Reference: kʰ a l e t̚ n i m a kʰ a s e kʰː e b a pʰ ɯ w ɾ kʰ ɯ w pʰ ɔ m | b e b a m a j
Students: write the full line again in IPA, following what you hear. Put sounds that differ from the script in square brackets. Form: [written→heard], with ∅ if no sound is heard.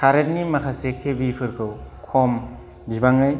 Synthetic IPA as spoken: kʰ a [l→ɾ] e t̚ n i m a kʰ a s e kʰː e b [a→i] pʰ ɯ [w→∅] ɾ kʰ ɯ w [pʰ→kʰ] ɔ m | b [e→i] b a [m→ŋ] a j